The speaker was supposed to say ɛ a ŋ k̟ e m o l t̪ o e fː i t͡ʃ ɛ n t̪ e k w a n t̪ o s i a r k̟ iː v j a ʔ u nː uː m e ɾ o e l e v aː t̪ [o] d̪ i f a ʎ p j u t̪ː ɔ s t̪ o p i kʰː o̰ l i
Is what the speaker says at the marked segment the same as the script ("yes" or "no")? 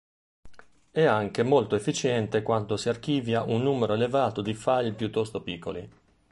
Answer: yes